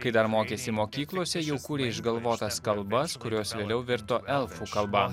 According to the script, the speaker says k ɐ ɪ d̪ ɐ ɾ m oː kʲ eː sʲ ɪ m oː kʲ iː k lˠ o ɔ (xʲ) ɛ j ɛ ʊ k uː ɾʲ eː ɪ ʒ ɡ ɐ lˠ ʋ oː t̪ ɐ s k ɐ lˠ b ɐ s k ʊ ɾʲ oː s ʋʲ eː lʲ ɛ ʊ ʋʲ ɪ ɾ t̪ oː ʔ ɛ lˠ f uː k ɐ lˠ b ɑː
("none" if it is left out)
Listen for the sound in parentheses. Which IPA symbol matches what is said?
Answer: sʲ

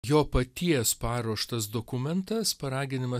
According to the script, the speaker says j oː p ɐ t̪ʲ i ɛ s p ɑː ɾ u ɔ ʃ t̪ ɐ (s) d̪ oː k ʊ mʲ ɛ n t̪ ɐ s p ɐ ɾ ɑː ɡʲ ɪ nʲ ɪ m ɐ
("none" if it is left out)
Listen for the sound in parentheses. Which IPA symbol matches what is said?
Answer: s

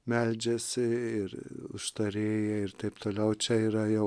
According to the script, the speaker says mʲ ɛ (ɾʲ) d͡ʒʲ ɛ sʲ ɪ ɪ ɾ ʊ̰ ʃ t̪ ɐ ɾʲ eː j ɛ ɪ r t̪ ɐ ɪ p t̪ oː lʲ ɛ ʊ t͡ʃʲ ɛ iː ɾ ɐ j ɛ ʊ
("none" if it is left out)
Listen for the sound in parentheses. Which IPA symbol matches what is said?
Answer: lʲ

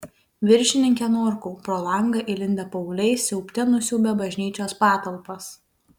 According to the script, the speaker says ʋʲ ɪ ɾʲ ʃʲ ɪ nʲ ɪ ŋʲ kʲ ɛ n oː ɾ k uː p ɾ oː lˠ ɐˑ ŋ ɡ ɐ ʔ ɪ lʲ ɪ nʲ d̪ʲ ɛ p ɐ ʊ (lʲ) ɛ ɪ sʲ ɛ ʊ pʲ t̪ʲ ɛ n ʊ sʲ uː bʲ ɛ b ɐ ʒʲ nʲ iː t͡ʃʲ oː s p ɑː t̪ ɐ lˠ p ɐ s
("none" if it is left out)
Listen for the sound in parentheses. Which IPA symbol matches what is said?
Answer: lʲ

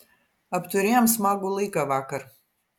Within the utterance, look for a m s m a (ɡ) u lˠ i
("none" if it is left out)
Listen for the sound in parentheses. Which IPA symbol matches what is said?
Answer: ɡ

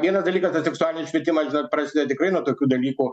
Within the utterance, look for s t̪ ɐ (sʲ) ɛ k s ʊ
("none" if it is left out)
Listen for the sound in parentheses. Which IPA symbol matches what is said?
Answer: sʲ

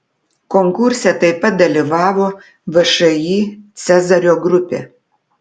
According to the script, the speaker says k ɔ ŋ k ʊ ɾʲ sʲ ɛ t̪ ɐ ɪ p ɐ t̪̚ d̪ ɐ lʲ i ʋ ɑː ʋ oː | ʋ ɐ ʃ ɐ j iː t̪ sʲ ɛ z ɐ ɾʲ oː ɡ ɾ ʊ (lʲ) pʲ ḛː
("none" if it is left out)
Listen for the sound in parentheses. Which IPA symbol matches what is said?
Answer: none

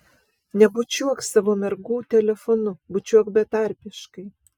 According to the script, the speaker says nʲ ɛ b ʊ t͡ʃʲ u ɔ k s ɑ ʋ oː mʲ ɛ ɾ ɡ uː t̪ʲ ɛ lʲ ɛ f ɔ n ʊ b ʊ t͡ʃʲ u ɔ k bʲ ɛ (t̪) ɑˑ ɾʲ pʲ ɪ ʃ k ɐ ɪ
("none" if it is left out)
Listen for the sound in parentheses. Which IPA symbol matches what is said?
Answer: t̪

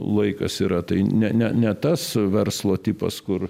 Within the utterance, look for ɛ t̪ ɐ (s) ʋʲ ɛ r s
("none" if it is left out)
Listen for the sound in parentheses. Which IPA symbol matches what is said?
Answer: s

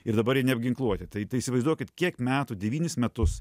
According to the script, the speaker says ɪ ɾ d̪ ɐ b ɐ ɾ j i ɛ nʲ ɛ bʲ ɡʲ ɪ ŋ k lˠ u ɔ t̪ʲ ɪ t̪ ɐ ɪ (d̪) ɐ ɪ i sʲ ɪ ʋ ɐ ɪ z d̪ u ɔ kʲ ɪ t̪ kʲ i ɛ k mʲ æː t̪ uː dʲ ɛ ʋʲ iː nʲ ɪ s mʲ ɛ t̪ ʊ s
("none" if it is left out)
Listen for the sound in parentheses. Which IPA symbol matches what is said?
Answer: t̪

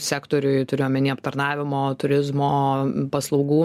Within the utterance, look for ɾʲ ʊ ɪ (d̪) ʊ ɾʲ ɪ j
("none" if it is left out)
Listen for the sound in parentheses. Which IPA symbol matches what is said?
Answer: t̪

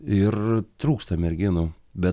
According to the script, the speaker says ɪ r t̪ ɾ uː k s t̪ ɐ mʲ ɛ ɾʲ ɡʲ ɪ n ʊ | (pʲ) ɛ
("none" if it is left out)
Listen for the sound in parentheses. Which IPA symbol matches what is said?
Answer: bʲ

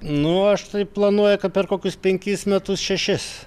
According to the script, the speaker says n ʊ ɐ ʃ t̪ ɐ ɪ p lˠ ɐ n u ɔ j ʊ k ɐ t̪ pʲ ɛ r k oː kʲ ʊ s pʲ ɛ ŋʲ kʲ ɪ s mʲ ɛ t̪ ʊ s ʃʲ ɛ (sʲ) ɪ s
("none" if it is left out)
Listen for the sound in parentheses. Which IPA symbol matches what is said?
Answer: ʃʲ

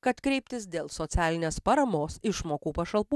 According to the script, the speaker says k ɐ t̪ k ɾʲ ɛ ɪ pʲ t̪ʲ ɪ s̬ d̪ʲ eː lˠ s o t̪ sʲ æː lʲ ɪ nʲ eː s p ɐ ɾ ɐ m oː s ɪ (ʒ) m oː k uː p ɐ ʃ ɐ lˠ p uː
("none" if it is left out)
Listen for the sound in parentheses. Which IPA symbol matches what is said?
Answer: ʃ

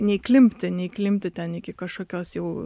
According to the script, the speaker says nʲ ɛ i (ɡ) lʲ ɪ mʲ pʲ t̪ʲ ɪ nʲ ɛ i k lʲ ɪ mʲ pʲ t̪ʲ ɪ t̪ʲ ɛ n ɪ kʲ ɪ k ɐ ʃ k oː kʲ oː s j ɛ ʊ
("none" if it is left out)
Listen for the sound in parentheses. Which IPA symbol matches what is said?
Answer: k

